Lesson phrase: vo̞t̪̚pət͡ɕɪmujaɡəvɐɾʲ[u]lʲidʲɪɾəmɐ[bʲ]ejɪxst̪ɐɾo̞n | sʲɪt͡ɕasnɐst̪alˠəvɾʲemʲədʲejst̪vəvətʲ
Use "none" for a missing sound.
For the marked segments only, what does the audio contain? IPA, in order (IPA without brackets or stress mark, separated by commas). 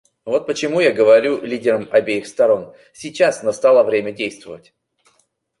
u, bʲ